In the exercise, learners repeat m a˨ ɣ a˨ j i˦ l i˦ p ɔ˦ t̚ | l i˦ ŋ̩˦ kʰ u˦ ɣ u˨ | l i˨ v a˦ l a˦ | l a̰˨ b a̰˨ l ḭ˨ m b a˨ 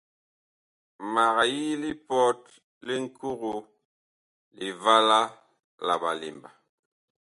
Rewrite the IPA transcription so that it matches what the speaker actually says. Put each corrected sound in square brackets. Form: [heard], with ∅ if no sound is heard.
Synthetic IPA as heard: m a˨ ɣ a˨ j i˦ l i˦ p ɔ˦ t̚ | l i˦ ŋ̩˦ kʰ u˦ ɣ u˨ | l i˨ v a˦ l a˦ | l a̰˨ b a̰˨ l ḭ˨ m b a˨